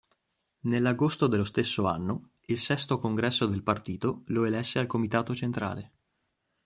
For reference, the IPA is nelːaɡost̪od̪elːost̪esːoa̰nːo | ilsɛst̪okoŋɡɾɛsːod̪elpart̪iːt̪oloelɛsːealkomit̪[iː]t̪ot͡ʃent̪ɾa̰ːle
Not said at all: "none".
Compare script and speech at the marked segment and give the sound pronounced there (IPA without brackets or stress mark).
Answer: aː